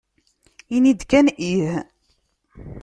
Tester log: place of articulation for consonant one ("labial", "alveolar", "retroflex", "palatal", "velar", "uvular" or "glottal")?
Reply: alveolar